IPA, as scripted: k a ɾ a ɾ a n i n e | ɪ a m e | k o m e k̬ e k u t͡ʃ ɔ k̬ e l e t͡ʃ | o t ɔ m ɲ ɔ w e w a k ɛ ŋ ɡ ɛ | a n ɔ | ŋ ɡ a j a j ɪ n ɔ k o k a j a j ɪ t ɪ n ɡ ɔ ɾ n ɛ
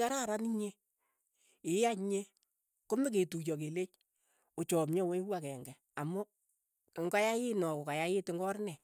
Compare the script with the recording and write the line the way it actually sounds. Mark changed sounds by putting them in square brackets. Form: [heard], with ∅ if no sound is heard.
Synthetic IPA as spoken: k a ɾ a ɾ a n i [ɲ] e | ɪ a [ɲ] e | k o m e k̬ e [t] u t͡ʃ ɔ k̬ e l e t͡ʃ | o [t͡ʃ] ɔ m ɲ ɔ w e w a k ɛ ŋ ɡ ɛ | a [m] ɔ | ŋ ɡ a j a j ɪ n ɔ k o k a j a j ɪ t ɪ [ŋ] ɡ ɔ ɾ n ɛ